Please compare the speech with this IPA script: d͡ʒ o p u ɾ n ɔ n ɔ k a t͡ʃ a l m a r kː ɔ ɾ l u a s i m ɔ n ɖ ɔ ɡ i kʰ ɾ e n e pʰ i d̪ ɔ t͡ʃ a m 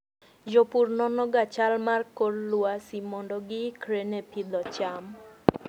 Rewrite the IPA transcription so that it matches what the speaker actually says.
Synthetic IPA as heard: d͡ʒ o p u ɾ n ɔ n ɔ ɡ a t͡ʃ a l m a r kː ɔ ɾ l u a s i m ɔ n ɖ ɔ ɡ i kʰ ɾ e n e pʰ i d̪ ɔ t͡ʃ a m